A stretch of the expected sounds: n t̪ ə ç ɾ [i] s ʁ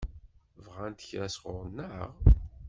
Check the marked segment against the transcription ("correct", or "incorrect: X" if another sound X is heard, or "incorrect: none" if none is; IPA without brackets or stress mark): incorrect: æ